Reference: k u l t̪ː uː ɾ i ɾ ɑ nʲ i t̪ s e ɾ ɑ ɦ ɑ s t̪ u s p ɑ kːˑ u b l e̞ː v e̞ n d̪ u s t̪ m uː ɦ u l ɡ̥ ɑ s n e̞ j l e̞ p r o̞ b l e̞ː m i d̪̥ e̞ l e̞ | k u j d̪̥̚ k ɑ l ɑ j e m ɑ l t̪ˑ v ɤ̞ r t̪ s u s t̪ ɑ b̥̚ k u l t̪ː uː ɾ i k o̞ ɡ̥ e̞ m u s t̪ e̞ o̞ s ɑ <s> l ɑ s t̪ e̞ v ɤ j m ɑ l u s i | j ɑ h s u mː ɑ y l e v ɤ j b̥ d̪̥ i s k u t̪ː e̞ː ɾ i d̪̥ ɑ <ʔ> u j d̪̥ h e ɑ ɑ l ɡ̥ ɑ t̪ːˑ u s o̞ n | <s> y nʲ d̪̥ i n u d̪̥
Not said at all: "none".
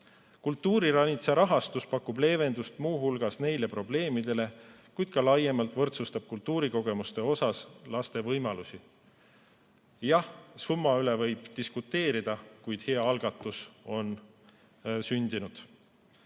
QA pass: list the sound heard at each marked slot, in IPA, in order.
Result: s, k, s

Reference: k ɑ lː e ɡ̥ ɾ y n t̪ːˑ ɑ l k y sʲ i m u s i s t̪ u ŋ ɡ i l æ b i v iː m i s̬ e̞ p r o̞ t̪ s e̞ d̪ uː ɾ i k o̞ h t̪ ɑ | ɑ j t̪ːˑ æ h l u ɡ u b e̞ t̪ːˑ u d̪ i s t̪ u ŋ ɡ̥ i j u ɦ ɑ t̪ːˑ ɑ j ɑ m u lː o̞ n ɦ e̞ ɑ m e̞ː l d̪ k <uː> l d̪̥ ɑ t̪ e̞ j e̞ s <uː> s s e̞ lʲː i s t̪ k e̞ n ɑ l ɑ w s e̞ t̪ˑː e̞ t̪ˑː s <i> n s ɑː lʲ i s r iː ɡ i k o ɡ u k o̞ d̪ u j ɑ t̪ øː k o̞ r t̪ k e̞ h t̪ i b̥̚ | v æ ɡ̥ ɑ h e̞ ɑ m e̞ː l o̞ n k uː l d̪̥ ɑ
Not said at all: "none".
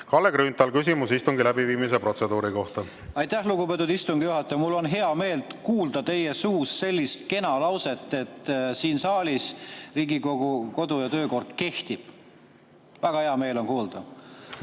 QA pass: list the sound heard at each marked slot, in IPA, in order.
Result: uː, uː, iː

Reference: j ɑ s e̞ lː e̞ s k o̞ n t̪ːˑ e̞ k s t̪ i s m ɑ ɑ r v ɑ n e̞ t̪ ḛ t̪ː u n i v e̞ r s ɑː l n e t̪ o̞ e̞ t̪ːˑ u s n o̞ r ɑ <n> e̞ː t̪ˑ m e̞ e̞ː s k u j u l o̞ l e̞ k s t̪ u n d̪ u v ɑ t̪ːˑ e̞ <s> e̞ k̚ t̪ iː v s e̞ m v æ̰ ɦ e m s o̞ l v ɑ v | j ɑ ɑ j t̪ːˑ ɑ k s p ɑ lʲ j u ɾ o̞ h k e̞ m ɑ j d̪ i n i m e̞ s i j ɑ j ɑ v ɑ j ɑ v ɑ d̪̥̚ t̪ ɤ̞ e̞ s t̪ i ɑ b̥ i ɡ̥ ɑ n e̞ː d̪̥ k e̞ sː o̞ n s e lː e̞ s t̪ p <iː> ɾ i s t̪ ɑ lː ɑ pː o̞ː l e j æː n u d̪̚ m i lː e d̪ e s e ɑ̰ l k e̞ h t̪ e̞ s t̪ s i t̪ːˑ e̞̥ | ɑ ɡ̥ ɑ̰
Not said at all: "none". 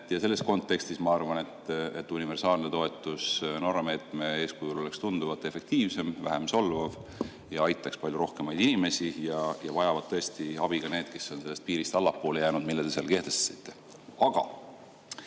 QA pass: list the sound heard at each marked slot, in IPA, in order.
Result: m, f, iː

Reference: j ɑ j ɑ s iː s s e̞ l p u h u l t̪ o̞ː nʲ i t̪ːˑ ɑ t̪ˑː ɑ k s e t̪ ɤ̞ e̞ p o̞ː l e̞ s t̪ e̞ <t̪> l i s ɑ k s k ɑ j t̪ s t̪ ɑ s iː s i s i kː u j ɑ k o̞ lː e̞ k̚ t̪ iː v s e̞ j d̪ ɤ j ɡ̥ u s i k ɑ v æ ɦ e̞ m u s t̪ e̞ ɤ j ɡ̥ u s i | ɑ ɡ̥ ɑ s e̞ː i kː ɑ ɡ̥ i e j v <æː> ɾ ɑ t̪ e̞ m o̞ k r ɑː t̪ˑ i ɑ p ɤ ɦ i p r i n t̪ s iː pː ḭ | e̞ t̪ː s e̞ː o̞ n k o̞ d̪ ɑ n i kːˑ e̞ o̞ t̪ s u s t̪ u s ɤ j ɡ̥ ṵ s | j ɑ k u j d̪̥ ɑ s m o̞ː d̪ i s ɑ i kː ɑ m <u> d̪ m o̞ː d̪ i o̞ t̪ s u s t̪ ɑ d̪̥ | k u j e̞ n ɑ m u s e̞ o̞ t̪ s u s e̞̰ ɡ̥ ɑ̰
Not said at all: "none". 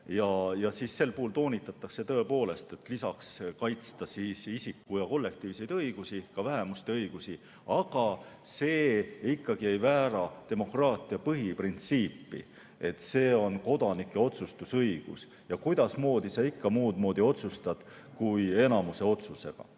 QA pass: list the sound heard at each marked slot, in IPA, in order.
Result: t̪, æː, uː

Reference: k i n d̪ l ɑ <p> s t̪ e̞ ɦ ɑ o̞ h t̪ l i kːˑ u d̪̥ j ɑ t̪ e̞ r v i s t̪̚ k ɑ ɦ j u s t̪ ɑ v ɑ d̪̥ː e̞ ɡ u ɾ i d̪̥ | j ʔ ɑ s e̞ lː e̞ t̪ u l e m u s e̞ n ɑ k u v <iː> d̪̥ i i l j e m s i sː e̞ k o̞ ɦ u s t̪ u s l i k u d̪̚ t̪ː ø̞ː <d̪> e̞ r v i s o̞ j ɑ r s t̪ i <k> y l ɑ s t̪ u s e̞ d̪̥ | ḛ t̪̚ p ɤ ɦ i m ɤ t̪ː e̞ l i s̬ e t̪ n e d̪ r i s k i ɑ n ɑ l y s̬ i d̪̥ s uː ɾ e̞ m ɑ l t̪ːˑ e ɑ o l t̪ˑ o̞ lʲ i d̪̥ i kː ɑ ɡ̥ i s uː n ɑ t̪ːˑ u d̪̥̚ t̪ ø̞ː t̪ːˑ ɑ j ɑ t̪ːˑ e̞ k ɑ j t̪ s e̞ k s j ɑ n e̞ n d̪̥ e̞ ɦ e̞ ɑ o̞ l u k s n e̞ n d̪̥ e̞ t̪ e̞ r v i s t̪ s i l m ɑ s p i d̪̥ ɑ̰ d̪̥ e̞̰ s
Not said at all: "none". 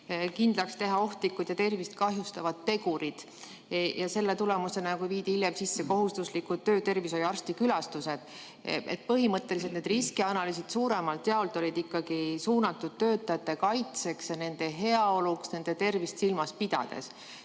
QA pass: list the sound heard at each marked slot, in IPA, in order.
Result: k, iː, t̪, k

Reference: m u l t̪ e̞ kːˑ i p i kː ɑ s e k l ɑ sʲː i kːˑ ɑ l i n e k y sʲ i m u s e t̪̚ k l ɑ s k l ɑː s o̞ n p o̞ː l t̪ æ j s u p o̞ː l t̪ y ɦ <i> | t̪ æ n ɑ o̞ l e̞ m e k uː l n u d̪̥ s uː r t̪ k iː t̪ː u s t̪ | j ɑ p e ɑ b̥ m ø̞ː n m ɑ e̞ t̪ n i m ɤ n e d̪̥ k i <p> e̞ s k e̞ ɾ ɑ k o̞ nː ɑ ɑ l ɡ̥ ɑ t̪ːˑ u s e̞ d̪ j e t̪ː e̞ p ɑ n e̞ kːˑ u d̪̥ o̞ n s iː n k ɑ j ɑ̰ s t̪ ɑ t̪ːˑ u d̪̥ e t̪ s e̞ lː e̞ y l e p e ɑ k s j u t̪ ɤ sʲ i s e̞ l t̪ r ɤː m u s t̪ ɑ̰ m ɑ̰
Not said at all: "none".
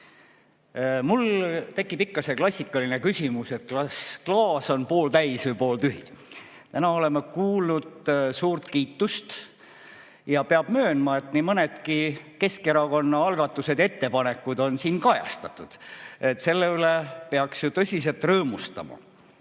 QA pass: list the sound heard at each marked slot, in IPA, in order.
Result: i, k

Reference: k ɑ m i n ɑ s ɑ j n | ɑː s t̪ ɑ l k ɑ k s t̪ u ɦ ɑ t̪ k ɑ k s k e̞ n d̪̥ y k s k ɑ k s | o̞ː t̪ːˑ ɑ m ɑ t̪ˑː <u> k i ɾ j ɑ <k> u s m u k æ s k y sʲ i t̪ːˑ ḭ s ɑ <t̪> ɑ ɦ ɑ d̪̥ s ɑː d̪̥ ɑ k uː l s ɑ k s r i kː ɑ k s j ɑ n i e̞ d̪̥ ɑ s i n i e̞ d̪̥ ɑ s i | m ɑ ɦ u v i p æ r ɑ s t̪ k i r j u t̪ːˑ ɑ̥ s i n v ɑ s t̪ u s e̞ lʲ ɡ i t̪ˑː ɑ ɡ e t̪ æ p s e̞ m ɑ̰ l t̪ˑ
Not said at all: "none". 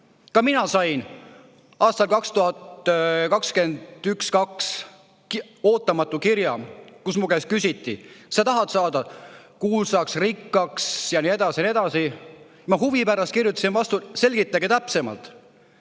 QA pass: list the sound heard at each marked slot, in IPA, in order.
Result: u, k, t̪

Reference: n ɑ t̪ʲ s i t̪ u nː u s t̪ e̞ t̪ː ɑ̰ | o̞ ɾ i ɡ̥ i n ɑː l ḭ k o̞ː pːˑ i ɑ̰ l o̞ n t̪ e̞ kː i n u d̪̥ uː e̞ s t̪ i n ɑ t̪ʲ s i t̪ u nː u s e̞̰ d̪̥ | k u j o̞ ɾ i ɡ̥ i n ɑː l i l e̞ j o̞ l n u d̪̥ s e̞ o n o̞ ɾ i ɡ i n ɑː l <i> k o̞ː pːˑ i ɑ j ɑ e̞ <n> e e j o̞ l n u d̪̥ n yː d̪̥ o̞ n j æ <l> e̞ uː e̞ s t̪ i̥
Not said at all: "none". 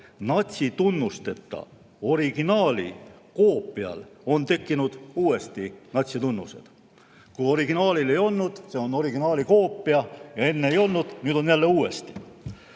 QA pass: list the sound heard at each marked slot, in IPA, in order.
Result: i, nː, lː

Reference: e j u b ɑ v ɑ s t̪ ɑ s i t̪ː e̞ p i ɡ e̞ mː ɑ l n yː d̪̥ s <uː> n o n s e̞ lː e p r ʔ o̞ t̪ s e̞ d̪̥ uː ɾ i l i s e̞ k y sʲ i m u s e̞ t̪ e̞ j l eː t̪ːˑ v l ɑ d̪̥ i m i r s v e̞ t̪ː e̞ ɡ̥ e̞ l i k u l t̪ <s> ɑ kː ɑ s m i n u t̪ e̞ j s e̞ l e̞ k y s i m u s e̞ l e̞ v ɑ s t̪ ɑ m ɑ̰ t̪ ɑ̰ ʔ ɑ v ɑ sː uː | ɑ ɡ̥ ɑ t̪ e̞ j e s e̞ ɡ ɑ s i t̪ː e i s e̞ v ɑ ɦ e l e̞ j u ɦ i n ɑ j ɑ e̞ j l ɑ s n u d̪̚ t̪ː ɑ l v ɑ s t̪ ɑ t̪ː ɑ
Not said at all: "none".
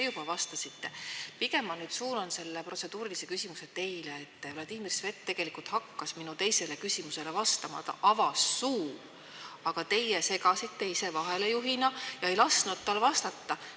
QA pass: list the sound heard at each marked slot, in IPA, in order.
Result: uː, h

